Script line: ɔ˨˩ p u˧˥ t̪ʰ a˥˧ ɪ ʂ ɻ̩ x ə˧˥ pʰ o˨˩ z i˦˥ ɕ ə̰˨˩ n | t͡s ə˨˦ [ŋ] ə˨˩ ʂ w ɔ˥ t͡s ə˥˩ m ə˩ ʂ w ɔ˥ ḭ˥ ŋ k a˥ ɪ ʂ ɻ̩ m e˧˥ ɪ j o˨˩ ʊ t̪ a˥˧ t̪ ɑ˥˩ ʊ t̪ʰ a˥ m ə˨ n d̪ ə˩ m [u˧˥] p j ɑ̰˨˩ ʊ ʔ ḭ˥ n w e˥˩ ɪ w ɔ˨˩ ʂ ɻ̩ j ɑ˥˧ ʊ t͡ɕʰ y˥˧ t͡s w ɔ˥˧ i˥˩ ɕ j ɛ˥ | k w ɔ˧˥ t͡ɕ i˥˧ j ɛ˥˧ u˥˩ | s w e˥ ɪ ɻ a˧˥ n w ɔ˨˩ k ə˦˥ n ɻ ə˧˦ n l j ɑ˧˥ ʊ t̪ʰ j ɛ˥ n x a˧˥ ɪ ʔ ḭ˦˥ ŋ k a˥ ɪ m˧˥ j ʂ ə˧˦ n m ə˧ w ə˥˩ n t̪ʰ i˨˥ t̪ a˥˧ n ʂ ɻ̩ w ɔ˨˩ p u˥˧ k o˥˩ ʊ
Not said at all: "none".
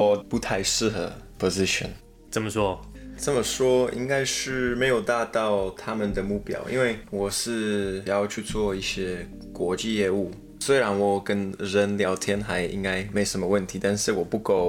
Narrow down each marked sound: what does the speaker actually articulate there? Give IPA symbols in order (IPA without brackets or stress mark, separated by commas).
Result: m, u˥˩